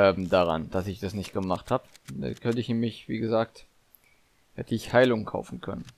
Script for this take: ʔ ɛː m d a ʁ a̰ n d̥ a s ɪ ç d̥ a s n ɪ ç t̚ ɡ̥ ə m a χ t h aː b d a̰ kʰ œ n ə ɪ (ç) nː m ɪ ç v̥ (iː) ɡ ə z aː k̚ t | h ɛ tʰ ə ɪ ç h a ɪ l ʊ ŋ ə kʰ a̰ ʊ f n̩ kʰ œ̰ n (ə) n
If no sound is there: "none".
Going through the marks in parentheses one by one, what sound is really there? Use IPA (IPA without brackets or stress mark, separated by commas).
ç, iː, ə